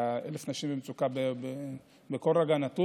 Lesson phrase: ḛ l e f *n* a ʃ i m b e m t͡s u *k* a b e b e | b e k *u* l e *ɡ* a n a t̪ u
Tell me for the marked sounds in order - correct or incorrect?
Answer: correct, correct, incorrect: o, correct

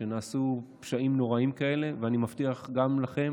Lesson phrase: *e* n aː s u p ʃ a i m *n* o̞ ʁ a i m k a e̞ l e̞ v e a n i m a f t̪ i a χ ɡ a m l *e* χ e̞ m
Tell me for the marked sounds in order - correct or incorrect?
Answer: correct, correct, incorrect: a

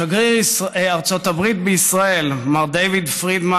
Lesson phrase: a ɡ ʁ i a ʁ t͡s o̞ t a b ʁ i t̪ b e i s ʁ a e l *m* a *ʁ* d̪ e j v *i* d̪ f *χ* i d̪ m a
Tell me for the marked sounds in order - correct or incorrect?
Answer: correct, correct, correct, incorrect: ʁ

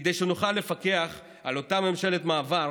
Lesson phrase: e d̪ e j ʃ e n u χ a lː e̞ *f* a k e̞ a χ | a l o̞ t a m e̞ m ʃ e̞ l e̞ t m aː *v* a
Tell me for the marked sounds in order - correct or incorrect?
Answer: correct, correct

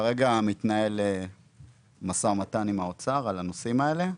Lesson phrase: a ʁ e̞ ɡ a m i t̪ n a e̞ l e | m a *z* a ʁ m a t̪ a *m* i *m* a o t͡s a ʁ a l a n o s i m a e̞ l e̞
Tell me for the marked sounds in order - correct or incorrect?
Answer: incorrect: s, incorrect: n, correct

